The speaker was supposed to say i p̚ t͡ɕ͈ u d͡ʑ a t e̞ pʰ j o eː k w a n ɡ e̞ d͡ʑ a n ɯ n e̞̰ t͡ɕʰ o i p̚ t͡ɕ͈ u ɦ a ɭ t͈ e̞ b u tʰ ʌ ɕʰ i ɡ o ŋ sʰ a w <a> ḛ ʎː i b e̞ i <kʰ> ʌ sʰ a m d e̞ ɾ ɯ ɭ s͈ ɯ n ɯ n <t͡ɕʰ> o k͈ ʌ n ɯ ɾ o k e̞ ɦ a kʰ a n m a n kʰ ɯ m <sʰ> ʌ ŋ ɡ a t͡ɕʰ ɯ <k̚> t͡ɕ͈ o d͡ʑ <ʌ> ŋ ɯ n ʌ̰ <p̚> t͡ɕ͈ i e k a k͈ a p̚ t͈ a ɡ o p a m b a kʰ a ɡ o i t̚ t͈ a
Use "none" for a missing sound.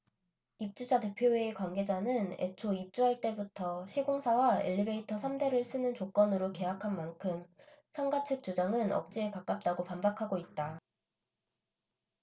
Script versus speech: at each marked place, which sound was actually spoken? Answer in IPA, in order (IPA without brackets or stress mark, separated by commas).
a, tʰ, t͡ɕ, sʰ, k̚, a, k̚